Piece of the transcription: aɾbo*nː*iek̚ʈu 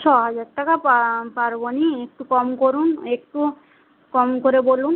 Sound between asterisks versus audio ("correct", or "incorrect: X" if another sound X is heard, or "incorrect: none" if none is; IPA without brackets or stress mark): incorrect: n